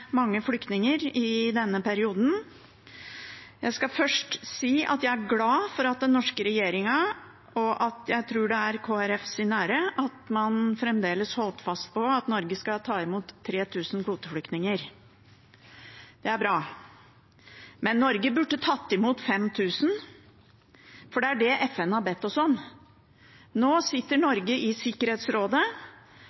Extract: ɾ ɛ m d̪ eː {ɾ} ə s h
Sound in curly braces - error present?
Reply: yes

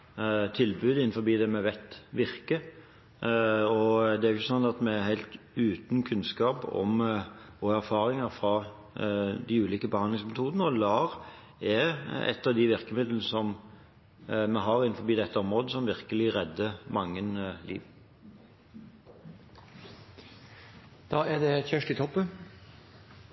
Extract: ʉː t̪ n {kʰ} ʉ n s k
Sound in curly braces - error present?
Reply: no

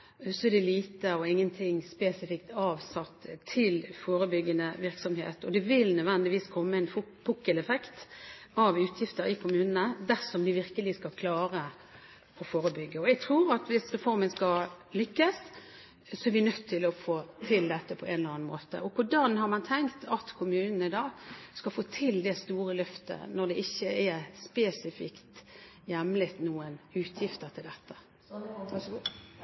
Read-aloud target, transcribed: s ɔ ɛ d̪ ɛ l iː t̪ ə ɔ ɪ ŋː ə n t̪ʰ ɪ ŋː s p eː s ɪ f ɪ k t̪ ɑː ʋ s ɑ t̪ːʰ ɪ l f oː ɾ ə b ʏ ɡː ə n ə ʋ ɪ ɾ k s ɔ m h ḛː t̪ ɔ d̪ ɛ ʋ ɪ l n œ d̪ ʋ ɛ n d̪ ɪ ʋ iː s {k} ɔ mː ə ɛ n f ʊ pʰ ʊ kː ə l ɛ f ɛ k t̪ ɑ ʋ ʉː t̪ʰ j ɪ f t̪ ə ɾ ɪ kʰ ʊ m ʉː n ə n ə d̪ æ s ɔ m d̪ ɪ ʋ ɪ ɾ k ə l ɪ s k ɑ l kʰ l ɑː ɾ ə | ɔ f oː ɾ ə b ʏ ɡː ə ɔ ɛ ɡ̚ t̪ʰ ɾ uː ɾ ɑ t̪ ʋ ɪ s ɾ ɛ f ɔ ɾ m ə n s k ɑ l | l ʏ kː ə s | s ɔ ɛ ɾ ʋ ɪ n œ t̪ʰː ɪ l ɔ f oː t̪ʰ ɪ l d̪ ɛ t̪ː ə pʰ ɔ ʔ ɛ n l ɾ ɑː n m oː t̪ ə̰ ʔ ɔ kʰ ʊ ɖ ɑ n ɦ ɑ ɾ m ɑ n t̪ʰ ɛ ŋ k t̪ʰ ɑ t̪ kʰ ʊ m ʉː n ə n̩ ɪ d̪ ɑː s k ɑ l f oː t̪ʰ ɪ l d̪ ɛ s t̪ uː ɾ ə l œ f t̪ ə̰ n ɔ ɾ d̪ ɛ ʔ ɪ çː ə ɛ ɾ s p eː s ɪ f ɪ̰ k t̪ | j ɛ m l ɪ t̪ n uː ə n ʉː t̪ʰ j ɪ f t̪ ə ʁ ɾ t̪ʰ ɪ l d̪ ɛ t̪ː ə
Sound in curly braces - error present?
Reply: yes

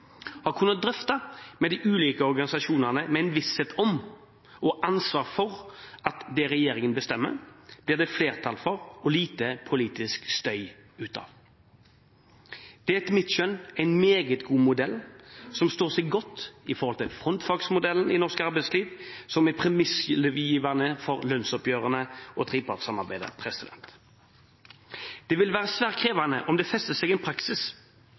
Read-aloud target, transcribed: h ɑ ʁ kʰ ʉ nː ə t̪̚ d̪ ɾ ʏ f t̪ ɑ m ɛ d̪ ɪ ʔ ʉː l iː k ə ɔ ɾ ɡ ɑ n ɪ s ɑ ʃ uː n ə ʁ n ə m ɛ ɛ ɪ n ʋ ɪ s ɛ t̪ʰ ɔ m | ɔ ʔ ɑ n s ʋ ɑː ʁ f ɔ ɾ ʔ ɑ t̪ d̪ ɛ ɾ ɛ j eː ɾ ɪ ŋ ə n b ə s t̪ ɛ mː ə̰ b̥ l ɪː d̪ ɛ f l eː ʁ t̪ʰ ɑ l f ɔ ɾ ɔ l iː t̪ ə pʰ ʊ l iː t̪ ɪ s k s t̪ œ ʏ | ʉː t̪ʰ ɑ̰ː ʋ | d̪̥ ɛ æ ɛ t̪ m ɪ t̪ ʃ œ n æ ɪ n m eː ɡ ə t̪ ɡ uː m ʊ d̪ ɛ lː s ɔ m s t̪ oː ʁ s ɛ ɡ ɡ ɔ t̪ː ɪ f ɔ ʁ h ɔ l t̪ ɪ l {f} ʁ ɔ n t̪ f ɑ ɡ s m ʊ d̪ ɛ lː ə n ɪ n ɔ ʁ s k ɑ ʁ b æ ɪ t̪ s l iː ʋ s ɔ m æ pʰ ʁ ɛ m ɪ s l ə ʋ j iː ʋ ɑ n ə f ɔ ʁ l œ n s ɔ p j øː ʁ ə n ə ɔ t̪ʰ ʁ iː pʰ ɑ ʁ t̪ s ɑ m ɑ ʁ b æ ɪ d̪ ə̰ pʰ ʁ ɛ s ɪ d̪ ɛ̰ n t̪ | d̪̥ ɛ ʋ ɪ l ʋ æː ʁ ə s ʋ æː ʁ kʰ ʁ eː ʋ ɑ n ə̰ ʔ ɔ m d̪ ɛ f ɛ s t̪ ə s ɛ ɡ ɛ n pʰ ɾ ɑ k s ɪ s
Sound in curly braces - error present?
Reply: no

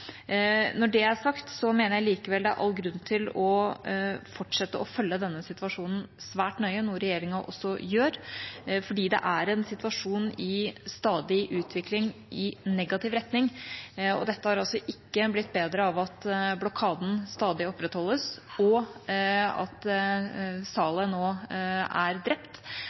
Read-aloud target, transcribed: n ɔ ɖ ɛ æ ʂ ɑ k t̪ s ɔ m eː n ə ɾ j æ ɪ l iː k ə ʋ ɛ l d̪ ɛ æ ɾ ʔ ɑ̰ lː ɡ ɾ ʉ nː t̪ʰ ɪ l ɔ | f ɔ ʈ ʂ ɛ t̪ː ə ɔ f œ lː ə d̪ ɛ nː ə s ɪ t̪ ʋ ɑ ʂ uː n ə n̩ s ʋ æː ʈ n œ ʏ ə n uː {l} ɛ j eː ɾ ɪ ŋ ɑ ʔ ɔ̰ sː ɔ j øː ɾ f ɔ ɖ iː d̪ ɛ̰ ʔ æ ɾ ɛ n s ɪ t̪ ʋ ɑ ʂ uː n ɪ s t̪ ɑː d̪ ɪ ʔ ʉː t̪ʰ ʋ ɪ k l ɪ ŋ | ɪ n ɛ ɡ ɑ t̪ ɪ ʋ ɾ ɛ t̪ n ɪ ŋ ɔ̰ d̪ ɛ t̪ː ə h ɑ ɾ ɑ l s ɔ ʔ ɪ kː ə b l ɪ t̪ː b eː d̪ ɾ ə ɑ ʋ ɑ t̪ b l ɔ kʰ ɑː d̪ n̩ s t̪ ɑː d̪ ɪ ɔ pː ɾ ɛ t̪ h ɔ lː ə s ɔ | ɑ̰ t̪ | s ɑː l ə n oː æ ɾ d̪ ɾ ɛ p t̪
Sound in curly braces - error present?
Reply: yes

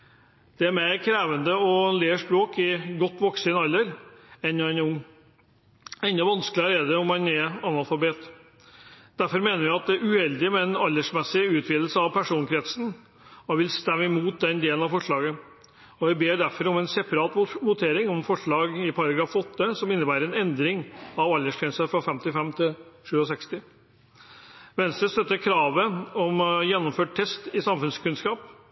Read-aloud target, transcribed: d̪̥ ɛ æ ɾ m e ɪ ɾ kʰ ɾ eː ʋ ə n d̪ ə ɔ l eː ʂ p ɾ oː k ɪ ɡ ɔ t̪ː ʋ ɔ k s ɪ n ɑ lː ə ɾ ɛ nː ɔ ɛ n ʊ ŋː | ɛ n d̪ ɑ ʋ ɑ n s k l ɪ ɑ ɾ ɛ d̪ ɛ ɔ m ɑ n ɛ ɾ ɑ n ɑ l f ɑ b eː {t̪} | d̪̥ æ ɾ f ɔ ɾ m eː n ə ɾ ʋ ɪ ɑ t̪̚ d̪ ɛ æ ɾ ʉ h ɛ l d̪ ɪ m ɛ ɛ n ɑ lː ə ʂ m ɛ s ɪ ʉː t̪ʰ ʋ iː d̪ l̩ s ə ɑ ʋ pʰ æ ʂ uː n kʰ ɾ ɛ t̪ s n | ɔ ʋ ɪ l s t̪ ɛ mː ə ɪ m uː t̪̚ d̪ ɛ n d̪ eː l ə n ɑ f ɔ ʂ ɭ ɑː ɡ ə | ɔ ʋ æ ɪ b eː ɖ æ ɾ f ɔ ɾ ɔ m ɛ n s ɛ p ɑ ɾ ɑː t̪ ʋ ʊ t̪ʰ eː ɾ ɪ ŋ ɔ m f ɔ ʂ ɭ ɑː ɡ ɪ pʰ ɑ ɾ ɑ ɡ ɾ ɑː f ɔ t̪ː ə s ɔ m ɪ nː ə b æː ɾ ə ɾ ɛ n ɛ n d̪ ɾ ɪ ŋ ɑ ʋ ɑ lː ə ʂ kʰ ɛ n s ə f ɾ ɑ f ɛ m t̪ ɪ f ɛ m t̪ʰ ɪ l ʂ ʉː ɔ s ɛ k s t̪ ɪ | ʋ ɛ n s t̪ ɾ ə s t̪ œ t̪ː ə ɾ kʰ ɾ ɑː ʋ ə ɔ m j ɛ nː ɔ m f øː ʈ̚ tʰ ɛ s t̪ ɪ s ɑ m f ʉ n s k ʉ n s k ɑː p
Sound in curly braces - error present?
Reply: no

